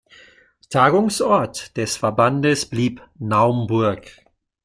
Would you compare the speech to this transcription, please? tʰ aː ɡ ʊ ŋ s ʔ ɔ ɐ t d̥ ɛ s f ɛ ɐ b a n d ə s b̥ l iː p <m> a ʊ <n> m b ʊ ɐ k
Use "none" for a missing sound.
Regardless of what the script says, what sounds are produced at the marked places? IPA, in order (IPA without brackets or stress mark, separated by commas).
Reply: n, none